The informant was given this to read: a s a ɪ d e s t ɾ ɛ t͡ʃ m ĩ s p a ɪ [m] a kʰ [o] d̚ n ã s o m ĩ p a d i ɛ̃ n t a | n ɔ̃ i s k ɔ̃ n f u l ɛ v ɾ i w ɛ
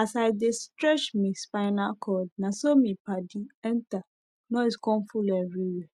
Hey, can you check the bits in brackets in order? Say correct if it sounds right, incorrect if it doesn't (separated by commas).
incorrect, incorrect